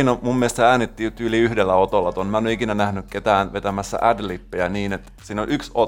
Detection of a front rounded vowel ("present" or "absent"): present